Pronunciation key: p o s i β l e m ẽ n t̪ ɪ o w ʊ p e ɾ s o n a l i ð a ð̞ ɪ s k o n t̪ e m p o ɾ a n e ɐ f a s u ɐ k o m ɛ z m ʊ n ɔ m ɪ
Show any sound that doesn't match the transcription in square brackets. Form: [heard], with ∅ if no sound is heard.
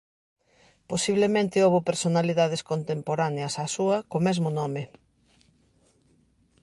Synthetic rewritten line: p o s i β l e m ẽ n t̪ ɪ o [β] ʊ p e ɾ s o n a l i ð a ð̞ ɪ s k o n t̪ e m p o ɾ a n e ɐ [s] a s u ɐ k o m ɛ z m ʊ n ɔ m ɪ

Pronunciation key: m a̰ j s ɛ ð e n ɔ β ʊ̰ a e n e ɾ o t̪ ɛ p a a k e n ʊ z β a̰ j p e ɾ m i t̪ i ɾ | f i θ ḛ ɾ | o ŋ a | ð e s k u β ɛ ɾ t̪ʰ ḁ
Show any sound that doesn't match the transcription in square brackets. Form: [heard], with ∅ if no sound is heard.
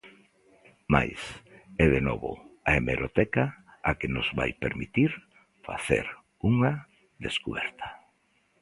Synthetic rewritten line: m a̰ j s ɛ ð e n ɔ β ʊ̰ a e [m] e ɾ o t̪ ɛ [k] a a k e n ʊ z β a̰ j p e ɾ m i t̪ i ɾ | f [a] θ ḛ ɾ | [u] ŋ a | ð e s k u β ɛ ɾ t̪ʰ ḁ

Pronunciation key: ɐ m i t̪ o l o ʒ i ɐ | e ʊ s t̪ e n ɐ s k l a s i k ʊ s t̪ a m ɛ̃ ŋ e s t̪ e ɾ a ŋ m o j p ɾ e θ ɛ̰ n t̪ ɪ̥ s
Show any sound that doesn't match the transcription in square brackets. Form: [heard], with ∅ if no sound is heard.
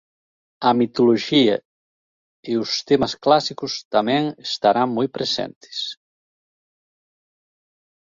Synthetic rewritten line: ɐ m i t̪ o l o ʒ i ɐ | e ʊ s t̪ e [m] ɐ s k l a s i k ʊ s t̪ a m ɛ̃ ŋ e s t̪ [a] ɾ a ŋ m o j p ɾ e [s] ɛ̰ n t̪ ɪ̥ s

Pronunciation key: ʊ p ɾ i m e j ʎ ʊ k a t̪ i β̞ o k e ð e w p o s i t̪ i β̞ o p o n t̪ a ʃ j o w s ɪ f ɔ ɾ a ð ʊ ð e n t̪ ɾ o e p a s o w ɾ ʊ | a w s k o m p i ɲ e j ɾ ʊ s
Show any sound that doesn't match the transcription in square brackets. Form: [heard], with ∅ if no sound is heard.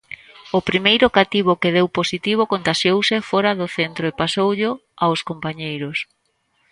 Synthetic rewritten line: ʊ p ɾ i m e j [ɾ] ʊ k a t̪ i β̞ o k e ð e w p o s i t̪ i β̞ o [k] o n t̪ a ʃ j o w s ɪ f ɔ ɾ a ð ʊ [θ] e n t̪ ɾ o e p a s o w [ʎ] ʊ | a w s k o m p [a] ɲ e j ɾ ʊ s

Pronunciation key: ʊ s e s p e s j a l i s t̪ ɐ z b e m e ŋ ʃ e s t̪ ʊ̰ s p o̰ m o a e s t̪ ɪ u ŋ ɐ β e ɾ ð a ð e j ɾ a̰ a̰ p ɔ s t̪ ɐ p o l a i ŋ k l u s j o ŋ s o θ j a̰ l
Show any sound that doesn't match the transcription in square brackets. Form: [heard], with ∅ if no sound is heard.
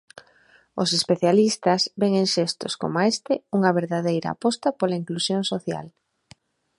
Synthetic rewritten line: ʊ s e s p e [θ] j a l i s t̪ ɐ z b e [ŋ] e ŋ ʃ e s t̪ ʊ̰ s [k] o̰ m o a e s t̪ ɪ u ŋ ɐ β e ɾ ð a ð e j ɾ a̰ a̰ p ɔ s t̪ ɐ p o l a i ŋ k l u s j o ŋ s o θ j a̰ l

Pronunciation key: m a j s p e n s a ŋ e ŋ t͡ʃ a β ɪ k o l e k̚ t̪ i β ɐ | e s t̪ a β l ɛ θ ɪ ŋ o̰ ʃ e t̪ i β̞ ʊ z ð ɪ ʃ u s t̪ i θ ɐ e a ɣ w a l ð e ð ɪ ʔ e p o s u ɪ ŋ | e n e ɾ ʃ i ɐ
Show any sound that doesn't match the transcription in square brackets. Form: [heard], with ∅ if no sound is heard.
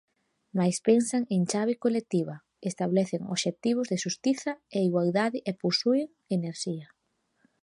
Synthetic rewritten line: m a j s p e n s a ŋ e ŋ t͡ʃ a β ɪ k o l e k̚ t̪ i β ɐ | e s t̪ a β l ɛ θ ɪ ŋ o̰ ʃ e t̪ i β̞ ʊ z ð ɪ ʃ u s t̪ i θ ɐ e [i] ɣ w a l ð [a] ð ɪ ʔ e p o s u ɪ ŋ | e n e ɾ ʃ i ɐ

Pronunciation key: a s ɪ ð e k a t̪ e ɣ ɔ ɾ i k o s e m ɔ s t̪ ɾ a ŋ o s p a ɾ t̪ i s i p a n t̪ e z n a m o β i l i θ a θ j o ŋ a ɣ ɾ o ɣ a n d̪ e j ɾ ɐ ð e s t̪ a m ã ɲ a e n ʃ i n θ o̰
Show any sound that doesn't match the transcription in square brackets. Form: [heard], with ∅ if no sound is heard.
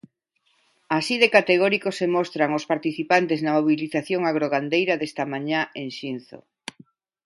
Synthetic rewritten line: a s [i] ð e k a t̪ e ɣ ɔ ɾ i k o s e m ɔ s t̪ ɾ a ŋ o s p a ɾ t̪ i [θ] i p a n t̪ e z n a m o β i l i θ a θ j o ŋ a ɣ ɾ o ɣ a n d̪ e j ɾ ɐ ð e s t̪ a m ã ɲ a e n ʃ i n θ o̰

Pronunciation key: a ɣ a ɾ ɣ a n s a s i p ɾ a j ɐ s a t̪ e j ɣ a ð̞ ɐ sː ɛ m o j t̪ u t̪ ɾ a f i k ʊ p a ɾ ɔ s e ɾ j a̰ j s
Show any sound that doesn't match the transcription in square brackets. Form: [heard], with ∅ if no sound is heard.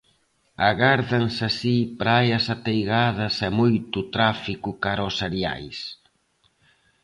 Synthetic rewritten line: a ɣ a ɾ [ð] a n s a s i p ɾ a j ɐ s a t̪ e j ɣ a ð̞ ɐ [s] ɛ m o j t̪ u t̪ ɾ a f i k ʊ [k] a ɾ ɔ s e ɾ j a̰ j s

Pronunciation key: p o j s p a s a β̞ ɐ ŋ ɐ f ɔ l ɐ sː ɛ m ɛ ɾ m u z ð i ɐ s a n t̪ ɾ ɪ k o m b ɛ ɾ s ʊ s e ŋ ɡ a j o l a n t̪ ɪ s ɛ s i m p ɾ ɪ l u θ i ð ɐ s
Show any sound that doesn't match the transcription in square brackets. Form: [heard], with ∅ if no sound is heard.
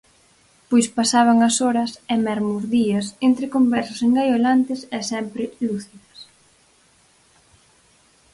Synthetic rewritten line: p o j s p a s a β̞ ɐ ŋ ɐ [s] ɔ [ɾ] ɐ [s] ɛ m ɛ ɾ m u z ð i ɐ s [e] n t̪ ɾ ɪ k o m b ɛ ɾ s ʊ s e ŋ ɡ a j o l a n t̪ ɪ s ɛ s [ɛ] m p ɾ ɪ l u θ i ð ɐ s

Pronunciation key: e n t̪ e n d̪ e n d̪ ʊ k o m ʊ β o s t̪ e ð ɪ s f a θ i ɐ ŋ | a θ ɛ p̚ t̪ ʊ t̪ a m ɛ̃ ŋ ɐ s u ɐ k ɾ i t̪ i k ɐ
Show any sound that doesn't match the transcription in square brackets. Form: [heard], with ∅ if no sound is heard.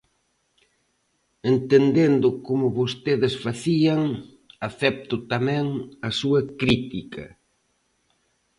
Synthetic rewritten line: e n t̪ e n d̪ e n d̪ ʊ k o m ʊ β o s t̪ e ð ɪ s f a θ i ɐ ŋ | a θ ɛ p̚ t̪ ʊ t̪ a m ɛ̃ ŋ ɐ s u ɐ k ɾ i t̪ i k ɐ

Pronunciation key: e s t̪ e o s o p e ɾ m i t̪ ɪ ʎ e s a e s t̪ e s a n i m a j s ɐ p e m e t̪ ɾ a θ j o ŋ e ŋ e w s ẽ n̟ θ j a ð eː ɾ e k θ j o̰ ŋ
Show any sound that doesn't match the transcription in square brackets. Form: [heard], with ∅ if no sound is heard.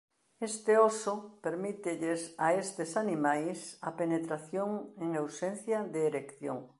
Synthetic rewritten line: e s t̪ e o s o p e ɾ m i t̪ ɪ ʎ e s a e s t̪ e s a n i m a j s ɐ p e [n] e t̪ ɾ a θ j o ŋ e ŋ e w s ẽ n̟ θ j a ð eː ɾ e k θ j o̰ ŋ

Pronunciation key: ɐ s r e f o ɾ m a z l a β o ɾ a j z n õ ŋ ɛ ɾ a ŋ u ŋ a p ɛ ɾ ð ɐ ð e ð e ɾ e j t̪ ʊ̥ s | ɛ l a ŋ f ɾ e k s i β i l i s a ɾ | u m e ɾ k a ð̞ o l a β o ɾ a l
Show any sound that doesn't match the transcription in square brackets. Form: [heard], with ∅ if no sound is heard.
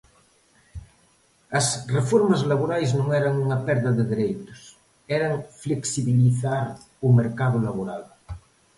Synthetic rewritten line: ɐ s r e f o ɾ m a z l a β o ɾ a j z n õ ŋ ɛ ɾ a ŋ u ŋ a p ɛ ɾ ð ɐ ð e ð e ɾ e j t̪ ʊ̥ s | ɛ [ɾ] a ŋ f [l] e k s i β i l i [θ] a ɾ | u m e ɾ k a ð̞ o l a β o ɾ a l

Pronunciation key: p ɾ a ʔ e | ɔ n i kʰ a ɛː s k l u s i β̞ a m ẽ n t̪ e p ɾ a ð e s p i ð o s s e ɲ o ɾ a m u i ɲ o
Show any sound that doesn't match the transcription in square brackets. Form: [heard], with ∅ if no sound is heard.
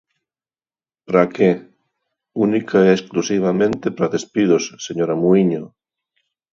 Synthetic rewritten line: p ɾ a [k] e | [u] n i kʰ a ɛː s k l u s i β̞ a m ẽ n t̪ e p ɾ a ð e s p i ð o s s e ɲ o ɾ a m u i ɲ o

